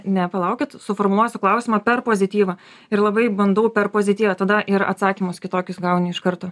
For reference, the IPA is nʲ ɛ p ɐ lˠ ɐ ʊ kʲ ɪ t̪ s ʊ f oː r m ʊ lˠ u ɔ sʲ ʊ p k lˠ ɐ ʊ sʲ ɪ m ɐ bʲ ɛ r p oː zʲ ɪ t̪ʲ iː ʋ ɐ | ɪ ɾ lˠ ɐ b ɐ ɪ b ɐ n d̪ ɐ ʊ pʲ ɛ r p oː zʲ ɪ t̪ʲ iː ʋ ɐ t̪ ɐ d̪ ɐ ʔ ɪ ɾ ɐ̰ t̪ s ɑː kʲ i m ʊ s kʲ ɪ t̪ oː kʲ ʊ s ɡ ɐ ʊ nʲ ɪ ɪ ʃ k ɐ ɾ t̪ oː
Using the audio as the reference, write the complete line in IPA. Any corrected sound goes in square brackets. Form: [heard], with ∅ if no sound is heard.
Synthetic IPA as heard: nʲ ɛ p ɐ lˠ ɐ ʊ kʲ ɪ t̪ s ʊ f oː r m ʊ lˠ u ɔ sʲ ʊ [∅] k lˠ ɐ ʊ sʲ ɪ m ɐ [pʲ] ɛ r p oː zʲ ɪ t̪ʲ iː ʋ ɐ | ɪ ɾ lˠ ɐ b ɐ ɪ b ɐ n d̪ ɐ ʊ pʲ ɛ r p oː zʲ ɪ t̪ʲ iː ʋ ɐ t̪ ɐ d̪ ɐ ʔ ɪ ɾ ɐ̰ t̪ s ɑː kʲ i m ʊ s kʲ ɪ t̪ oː kʲ ʊ s ɡ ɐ ʊ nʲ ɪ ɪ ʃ k ɐ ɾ t̪ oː